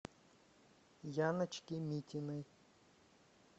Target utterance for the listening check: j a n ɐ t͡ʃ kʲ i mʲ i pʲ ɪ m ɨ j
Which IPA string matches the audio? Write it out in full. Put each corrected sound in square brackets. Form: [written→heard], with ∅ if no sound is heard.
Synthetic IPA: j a n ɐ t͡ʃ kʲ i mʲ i [pʲ→tʲ] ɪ [m→n] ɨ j

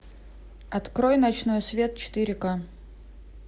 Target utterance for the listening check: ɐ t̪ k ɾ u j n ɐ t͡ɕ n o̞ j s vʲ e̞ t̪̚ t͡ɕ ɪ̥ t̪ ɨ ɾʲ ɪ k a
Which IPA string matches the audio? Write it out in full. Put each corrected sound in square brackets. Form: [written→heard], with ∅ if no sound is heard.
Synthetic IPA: ɐ t̪ k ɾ [u→o] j n ɐ t͡ɕ n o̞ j s vʲ e̞ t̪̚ t͡ɕ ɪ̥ t̪ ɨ ɾʲ ɪ k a

